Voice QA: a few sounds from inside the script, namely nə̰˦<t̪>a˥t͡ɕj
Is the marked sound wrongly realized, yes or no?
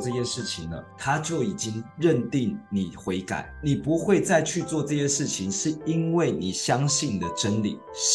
yes